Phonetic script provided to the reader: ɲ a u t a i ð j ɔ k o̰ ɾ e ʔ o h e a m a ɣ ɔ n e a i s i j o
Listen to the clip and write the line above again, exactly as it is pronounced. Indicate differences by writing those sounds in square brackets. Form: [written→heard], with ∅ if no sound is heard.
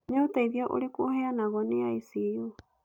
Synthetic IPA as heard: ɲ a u t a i ð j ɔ [k→ʔ] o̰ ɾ e [ʔ→k] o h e a [m→n] a ɣ ɔ n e a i s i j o